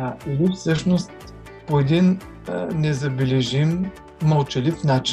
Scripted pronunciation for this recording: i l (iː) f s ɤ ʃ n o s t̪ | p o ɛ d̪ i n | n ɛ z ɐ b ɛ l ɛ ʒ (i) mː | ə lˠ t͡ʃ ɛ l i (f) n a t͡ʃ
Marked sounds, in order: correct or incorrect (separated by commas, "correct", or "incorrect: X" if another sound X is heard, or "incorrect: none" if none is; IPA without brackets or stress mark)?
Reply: incorrect: i, correct, correct